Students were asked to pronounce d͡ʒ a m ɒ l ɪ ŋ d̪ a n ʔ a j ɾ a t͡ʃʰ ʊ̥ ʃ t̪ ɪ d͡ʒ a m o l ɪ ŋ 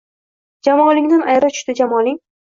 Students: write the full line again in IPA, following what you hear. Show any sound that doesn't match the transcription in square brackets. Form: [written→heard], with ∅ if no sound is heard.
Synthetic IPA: d͡ʒ a m ɒ l ɪ ŋ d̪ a n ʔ a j ɾ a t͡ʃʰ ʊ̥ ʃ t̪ ɪ d͡ʒ a m [o→ɒ] l ɪ ŋ